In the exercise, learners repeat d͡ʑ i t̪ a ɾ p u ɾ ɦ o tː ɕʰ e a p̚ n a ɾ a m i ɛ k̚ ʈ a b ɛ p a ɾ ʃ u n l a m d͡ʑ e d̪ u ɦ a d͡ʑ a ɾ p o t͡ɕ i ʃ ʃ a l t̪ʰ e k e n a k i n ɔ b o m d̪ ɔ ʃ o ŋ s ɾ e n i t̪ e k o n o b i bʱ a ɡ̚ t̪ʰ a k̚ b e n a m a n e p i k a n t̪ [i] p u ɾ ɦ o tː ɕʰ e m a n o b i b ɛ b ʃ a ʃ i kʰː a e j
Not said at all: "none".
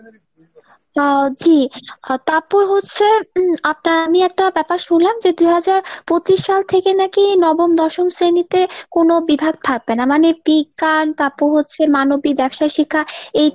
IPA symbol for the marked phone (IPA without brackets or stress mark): a